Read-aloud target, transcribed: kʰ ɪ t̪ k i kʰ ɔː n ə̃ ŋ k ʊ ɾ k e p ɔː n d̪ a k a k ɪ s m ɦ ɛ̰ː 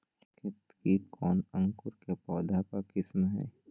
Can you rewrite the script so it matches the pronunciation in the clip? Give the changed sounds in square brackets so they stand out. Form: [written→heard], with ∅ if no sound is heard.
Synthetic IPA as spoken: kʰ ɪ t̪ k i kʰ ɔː n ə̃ ŋ k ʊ ɾ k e p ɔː [n→∅] d̪ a k a k ɪ s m ɦ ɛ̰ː